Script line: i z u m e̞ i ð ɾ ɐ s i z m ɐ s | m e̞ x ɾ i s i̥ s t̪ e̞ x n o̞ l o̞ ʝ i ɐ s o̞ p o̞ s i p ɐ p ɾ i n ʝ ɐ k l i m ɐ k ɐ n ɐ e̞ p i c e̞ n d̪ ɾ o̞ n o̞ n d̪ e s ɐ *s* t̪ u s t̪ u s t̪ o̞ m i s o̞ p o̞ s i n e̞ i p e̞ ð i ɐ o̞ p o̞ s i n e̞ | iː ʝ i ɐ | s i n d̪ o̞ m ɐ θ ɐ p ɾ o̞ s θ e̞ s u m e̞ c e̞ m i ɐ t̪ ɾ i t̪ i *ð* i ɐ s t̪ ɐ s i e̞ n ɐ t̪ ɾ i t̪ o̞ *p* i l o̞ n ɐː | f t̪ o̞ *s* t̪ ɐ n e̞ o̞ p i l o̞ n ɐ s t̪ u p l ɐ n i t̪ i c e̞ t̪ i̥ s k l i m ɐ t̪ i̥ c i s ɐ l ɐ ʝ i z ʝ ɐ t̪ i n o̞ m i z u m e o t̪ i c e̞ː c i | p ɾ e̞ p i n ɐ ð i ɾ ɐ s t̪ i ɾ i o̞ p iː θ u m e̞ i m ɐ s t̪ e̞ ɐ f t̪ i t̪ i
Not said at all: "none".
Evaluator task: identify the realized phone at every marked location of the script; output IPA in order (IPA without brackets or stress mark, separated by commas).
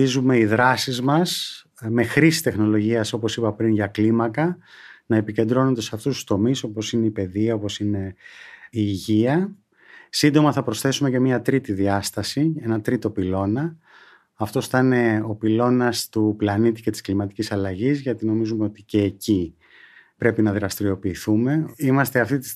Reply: f, ð, p, s